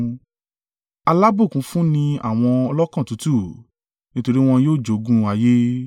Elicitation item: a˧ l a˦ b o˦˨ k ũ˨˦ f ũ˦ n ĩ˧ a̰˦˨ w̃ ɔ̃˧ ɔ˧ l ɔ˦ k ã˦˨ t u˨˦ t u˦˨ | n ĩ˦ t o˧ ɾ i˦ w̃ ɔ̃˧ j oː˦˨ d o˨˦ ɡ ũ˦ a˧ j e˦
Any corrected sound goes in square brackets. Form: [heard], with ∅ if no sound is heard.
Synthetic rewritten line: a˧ l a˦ b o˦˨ k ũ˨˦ f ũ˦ n ĩ˧ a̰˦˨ w̃ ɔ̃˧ ɔ˧ l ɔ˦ k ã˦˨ t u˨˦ t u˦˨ | n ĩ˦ t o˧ ɾ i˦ w̃ ɔ̃˧ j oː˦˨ [d͡ʒ] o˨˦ ɡ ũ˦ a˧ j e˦